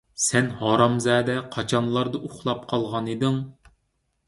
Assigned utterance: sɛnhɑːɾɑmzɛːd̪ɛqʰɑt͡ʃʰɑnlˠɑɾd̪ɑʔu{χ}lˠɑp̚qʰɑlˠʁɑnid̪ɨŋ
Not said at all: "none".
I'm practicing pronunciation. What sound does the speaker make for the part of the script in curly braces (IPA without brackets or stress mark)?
χ